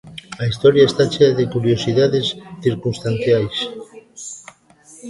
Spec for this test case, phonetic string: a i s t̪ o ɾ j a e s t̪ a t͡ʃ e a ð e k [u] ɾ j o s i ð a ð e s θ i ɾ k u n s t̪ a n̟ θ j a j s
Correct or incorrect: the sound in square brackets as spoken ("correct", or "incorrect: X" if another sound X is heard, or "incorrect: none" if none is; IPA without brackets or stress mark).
correct